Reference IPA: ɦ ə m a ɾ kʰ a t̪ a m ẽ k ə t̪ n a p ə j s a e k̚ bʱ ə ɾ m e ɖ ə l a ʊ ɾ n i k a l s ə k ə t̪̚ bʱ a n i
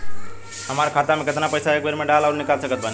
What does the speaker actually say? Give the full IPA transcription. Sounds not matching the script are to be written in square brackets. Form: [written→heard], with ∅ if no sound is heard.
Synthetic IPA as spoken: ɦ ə m a ɾ kʰ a t̪ a m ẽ k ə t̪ n a p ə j s a e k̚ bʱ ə ɾ m e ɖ [ə→a] l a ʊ ɾ n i k a l s ə k ə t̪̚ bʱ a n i